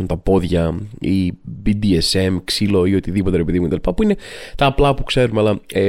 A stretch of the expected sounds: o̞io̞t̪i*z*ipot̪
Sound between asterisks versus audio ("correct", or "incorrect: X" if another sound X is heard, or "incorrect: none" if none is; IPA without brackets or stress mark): incorrect: ð